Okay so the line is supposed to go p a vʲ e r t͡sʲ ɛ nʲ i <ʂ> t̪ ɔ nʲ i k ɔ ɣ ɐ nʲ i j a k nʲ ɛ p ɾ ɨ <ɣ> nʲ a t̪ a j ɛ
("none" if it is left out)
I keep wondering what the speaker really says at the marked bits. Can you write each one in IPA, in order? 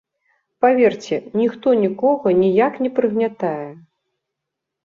x, ɣ

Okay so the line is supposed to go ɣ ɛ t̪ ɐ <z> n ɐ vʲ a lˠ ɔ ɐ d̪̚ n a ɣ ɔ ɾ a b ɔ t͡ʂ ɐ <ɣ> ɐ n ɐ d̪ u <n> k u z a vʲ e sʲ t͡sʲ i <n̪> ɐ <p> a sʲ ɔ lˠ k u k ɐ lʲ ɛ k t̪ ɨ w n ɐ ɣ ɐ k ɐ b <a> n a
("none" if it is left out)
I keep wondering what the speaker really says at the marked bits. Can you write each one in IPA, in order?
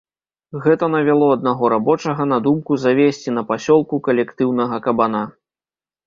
none, ɣ, m, n̪, p, a

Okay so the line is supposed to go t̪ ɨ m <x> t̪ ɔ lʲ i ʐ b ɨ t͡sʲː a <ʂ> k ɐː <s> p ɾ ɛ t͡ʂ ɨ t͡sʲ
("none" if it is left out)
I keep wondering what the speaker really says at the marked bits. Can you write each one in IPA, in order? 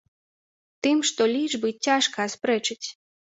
ʂ, ʂ, s

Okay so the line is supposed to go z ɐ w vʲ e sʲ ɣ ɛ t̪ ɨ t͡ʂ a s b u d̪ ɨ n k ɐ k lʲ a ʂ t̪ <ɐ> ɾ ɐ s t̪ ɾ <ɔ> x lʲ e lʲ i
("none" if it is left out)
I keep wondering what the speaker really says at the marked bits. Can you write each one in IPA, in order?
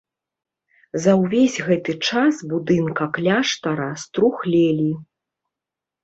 ɐ, u

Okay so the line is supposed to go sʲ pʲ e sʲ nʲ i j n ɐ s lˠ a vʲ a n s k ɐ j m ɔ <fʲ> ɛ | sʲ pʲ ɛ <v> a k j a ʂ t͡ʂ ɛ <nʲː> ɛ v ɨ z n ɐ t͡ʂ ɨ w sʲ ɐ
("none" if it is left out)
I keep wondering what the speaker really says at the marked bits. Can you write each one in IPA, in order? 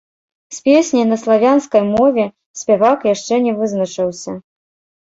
vʲ, v, nʲ

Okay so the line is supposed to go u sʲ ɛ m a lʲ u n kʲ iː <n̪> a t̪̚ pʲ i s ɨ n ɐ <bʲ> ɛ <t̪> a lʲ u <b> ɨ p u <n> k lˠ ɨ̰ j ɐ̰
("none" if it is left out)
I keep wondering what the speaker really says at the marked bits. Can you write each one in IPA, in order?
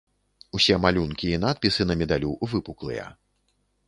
n̪, mʲ, d̪, v, none

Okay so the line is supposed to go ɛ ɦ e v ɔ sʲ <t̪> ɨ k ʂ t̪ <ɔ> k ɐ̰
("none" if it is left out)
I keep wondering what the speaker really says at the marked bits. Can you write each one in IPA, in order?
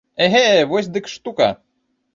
d̪, u

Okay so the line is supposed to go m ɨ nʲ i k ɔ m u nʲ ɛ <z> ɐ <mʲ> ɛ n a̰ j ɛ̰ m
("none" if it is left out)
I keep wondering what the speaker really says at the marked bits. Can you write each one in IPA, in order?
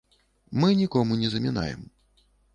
z, mʲ

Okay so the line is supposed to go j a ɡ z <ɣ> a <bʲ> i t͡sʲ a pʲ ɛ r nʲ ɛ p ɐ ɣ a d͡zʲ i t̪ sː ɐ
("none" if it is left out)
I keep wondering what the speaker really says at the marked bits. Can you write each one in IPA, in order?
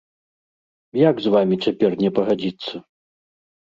v, mʲ

